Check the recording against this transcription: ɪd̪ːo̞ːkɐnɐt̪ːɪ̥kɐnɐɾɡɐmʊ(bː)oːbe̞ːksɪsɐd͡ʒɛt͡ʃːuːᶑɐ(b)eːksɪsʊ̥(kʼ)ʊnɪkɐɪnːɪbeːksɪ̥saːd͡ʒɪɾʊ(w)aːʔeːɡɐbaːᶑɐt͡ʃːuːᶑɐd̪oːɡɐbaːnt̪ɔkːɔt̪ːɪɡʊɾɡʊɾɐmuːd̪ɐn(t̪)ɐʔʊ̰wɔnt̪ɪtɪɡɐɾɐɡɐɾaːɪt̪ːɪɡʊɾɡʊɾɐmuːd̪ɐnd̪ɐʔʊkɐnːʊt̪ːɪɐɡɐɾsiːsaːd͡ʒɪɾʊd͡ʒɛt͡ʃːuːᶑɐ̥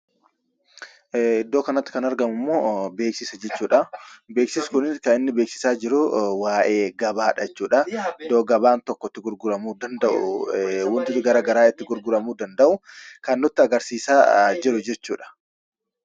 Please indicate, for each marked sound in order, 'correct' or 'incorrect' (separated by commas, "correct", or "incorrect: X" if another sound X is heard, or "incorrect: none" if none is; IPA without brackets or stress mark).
incorrect: mː, correct, incorrect: k, correct, incorrect: d̪